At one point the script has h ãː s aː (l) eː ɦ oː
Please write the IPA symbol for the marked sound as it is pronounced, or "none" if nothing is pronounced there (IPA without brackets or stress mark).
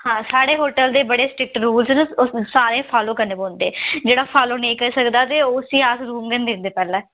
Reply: ɽ